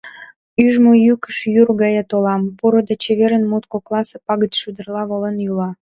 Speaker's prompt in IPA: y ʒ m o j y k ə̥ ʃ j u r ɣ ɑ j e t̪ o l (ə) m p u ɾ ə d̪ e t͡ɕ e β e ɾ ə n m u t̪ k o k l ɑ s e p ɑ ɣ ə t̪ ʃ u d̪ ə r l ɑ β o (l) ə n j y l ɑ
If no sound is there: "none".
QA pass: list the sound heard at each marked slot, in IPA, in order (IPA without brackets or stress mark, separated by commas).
ɑ, l